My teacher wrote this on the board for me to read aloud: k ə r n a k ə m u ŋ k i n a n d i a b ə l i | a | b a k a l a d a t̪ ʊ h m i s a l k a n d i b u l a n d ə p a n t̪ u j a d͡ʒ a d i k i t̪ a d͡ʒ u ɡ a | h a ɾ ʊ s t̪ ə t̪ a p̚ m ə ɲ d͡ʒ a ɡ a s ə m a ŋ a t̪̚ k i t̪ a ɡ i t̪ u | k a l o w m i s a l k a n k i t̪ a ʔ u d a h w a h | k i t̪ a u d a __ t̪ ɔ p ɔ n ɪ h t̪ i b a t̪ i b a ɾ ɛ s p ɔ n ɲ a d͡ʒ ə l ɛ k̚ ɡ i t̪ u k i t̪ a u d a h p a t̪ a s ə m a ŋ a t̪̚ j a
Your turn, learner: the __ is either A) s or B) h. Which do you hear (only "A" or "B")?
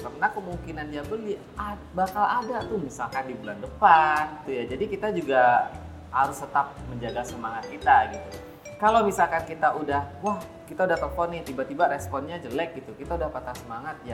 B